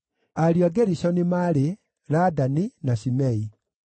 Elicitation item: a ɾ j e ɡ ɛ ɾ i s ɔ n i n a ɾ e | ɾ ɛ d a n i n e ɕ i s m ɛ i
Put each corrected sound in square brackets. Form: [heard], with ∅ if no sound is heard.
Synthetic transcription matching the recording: a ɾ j [a] ɡ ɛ ɾ i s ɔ n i [m] a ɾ e | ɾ [a] d a n i n [a] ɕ i [∅] m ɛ i